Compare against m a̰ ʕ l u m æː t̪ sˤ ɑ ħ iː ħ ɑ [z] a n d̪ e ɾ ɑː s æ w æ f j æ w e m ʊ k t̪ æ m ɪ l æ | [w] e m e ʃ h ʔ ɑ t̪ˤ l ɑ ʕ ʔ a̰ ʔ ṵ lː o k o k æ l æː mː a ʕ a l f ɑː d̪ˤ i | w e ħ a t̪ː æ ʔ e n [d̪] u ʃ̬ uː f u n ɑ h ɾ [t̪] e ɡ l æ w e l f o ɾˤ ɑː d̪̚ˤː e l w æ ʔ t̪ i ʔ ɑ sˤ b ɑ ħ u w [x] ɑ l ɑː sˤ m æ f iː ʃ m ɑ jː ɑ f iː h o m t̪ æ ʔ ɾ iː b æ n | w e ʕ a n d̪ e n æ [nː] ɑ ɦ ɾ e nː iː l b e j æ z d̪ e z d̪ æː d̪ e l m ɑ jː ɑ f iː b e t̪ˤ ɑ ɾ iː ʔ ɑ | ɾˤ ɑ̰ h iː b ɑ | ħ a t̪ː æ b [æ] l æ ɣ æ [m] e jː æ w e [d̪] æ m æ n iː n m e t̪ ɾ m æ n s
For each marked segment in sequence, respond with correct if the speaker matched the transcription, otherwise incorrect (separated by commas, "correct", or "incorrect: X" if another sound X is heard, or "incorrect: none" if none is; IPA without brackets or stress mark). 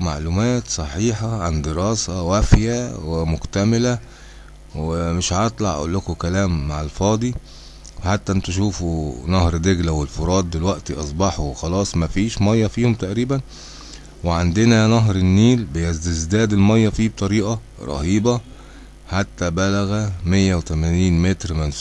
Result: incorrect: ʕ, correct, incorrect: t̪, incorrect: d̪, correct, incorrect: n, correct, correct, incorrect: t̪